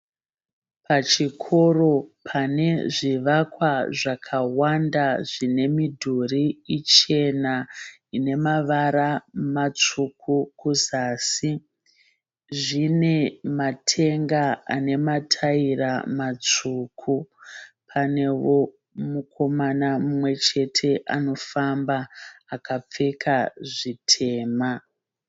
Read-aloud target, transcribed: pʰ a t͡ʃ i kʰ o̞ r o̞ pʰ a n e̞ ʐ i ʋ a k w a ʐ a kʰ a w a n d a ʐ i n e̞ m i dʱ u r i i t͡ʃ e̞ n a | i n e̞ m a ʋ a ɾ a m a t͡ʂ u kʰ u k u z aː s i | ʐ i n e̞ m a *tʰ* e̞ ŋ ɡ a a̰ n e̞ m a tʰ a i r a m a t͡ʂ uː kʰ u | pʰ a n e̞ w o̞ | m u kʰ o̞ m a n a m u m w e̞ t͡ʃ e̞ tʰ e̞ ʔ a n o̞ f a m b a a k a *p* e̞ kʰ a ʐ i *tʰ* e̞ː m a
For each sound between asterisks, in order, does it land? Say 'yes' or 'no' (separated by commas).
yes, no, yes